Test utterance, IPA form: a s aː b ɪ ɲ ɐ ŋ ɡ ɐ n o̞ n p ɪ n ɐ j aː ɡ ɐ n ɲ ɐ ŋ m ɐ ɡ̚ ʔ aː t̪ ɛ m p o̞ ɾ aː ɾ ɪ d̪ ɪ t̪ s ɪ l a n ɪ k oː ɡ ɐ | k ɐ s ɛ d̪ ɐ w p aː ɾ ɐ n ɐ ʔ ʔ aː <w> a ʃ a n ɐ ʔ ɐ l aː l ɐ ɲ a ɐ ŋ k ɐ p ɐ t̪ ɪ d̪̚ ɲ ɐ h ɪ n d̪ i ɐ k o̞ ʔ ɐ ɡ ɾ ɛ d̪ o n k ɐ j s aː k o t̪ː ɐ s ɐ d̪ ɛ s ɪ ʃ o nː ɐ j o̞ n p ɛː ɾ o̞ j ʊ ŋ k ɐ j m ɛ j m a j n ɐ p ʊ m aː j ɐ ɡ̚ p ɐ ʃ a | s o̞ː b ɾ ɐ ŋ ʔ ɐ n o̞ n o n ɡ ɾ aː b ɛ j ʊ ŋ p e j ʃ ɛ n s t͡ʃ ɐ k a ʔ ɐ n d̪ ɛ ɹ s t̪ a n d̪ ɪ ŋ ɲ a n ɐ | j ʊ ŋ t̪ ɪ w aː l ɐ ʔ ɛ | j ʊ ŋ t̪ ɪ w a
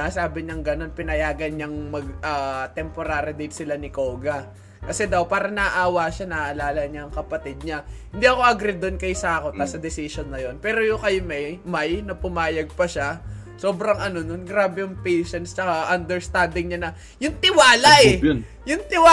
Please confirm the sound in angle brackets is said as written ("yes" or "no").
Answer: yes